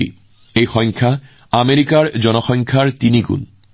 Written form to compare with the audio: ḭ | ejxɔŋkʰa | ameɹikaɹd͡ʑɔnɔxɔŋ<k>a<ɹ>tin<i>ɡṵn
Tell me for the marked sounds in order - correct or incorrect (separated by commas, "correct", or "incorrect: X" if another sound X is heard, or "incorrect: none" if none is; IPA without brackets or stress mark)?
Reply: incorrect: kʰ, correct, correct